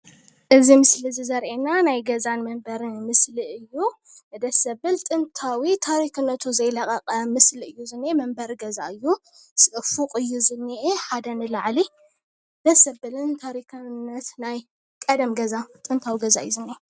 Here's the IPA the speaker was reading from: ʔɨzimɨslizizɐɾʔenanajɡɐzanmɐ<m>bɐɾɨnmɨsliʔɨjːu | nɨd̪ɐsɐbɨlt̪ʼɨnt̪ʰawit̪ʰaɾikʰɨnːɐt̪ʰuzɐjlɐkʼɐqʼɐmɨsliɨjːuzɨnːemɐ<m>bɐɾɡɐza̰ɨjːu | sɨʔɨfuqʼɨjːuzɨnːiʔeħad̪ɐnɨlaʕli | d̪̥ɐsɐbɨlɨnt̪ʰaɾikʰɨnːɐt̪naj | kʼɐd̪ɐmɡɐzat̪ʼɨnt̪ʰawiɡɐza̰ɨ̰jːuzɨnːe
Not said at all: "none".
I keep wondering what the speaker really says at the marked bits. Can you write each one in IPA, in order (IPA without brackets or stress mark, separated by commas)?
m, m